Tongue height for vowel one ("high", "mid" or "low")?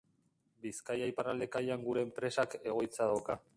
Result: high